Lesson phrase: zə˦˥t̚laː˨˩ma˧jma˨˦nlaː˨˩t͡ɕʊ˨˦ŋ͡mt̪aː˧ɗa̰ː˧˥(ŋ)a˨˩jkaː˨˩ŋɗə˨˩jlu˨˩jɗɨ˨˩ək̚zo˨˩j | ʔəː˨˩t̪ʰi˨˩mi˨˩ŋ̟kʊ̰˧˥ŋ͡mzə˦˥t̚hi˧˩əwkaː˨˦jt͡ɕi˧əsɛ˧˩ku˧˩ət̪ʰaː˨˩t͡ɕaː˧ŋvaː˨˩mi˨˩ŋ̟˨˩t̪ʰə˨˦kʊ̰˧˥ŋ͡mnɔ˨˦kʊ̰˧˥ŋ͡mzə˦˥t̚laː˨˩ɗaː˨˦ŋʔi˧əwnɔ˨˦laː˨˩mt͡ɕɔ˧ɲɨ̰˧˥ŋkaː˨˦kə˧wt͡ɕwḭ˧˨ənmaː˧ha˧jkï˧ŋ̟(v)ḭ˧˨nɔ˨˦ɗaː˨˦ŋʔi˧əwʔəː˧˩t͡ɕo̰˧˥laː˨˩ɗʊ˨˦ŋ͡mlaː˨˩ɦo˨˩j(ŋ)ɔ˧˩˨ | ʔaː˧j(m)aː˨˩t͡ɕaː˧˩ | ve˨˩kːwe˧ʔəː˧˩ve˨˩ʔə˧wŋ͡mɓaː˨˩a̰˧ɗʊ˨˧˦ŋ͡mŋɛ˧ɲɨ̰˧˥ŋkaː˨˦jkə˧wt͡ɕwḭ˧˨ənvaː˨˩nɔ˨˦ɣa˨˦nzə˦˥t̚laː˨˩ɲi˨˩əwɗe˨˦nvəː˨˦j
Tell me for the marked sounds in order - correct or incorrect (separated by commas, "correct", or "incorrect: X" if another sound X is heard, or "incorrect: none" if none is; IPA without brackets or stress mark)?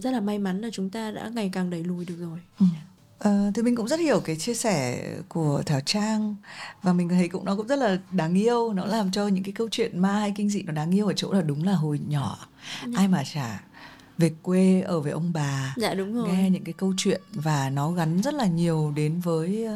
correct, incorrect: z, incorrect: ɲ, correct